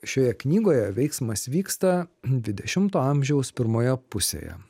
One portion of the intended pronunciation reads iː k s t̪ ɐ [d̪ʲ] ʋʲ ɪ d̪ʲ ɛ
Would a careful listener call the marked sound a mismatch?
no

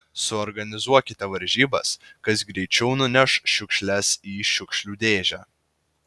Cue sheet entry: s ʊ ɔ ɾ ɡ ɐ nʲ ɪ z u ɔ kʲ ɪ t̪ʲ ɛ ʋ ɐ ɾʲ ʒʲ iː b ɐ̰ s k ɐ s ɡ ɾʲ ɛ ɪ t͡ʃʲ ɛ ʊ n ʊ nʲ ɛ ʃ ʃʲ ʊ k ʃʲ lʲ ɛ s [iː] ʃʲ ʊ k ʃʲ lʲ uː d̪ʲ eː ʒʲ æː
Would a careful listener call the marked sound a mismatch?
no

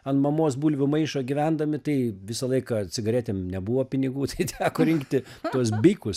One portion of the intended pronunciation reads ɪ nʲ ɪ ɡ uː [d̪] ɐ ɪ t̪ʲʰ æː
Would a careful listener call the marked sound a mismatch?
yes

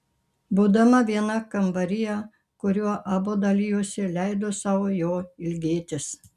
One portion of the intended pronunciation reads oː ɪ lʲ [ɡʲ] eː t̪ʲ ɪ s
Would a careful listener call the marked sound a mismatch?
no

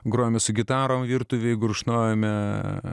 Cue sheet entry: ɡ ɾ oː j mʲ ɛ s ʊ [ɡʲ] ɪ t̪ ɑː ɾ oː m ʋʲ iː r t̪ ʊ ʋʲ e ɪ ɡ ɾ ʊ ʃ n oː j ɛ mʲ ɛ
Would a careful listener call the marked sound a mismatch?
no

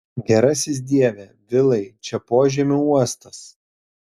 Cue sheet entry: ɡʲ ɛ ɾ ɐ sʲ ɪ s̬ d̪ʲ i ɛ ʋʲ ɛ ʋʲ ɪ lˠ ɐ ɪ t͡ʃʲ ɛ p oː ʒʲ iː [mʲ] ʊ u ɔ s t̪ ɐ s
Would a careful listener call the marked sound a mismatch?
no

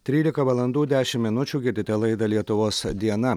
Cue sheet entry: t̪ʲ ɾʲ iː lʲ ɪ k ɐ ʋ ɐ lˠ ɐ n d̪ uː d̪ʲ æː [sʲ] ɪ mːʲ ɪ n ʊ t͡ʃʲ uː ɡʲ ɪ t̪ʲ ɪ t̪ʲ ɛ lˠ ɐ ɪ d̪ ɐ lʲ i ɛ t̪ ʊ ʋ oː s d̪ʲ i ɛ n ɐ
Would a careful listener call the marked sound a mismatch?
yes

